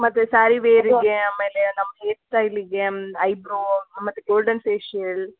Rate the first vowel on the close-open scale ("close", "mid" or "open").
open